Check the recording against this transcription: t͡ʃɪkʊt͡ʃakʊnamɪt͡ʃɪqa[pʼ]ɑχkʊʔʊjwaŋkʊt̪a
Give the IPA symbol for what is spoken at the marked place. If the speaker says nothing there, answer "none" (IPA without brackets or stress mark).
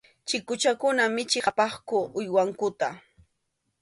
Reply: p